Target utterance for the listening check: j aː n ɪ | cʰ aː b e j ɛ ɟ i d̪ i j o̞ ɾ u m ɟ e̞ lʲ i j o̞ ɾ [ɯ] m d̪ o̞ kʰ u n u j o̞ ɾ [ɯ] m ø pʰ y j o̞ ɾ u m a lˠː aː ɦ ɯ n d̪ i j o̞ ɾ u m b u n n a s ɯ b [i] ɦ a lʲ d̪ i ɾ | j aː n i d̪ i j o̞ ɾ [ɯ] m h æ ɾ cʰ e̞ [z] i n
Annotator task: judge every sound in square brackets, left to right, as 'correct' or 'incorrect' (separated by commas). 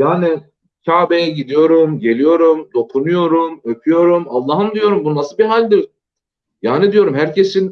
incorrect, incorrect, correct, incorrect, incorrect